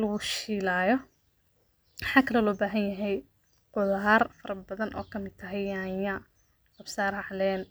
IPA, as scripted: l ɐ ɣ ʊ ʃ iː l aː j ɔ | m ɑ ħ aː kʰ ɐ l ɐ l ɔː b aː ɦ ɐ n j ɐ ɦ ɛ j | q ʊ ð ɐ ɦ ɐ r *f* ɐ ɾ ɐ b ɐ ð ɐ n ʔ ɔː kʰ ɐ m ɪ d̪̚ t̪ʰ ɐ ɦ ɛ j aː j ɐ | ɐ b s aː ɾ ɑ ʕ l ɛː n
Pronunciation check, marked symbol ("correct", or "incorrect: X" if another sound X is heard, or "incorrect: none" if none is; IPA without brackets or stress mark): correct